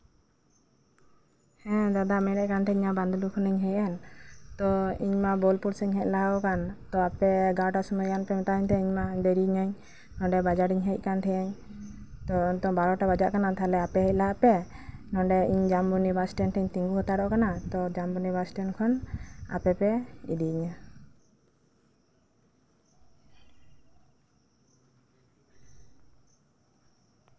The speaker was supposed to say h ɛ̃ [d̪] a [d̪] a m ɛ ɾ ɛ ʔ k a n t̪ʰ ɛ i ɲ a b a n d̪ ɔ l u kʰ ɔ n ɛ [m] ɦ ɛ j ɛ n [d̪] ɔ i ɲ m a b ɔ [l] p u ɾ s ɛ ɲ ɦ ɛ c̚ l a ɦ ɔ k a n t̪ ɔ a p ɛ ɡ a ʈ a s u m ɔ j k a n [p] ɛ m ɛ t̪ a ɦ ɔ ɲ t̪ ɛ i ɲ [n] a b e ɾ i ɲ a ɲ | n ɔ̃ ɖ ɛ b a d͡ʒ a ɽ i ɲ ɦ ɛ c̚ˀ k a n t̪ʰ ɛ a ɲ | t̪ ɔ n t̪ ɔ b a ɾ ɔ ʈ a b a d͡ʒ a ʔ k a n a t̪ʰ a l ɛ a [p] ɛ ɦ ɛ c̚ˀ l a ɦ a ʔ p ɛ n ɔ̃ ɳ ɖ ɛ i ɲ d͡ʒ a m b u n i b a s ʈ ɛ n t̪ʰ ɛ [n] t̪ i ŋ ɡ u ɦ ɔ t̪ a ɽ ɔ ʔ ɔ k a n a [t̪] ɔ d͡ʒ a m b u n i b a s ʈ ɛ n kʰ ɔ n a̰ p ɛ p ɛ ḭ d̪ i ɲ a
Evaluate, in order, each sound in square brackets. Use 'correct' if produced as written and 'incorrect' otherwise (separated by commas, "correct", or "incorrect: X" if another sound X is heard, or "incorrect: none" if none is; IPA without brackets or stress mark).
correct, correct, incorrect: ɲ, incorrect: t̪, correct, correct, incorrect: m, correct, incorrect: ɲ, correct